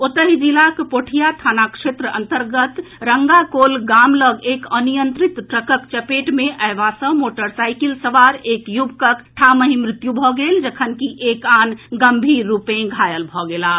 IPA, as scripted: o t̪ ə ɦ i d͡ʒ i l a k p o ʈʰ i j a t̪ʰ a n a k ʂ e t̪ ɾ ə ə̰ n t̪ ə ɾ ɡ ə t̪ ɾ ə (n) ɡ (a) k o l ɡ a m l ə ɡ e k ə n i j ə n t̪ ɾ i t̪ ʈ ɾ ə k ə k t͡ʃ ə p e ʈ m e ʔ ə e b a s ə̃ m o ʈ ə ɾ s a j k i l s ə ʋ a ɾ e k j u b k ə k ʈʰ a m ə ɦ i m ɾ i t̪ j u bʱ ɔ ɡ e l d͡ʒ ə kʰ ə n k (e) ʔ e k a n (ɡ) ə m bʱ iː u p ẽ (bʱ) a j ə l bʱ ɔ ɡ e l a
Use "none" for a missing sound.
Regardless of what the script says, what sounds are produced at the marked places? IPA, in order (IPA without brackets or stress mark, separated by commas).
ŋ, a, i, ɡ, ɡʱ